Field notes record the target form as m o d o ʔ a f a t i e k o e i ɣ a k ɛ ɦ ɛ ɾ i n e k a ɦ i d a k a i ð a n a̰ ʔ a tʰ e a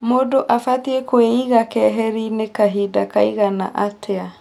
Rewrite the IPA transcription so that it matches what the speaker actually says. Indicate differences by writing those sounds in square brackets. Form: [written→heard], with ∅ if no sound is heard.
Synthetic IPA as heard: m o d o ʔ a f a t i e k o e i ɣ a k ɛ ɦ ɛ ɾ i n e k a ɦ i d a k a i [ð→ɣ] a n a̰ ʔ a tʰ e a